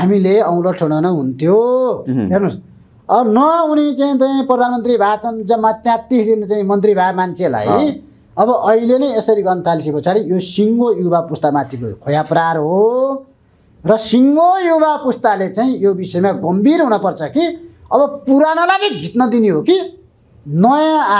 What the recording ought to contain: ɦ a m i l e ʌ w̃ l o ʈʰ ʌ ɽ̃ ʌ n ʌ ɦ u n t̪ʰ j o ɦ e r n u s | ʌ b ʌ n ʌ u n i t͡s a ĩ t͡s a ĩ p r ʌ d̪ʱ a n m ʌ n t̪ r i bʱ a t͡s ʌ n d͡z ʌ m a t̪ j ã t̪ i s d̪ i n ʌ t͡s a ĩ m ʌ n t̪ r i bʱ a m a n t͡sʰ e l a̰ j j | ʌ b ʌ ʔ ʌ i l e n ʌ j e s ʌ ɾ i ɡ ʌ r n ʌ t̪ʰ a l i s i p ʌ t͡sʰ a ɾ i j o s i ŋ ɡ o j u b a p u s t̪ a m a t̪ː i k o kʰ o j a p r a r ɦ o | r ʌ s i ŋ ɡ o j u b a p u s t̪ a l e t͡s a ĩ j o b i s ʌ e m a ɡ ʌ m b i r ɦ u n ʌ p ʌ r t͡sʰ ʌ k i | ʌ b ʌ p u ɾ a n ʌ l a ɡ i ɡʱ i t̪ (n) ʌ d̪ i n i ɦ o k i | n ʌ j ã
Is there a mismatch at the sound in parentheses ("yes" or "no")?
no